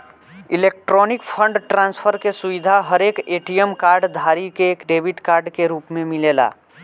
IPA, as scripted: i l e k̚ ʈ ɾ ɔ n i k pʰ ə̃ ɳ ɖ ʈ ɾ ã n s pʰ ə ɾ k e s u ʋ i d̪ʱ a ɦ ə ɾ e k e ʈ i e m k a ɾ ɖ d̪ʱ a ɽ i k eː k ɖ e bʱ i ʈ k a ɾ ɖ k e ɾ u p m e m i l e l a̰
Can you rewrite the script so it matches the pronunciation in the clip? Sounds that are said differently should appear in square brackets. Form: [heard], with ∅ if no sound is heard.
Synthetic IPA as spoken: i l e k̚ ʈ ɾ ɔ n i k pʰ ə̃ ɳ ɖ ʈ ɾ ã n s pʰ ə ɾ k e s u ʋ i d̪ʱ a ɦ ə ɾ e k e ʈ i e m k a ɾ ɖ d̪ʱ a [ɾ] i k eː k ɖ e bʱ i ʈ k a ɾ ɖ k e ɾ u p m e m i l e l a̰